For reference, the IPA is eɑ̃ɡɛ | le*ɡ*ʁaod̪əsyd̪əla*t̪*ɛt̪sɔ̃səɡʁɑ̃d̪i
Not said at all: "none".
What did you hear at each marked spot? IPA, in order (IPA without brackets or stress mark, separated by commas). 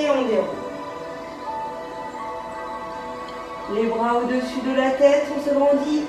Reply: b, t̪